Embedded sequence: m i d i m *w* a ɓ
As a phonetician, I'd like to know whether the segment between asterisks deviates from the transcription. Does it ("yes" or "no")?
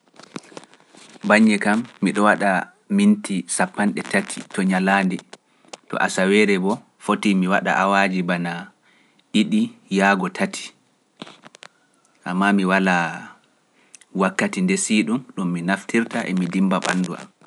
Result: yes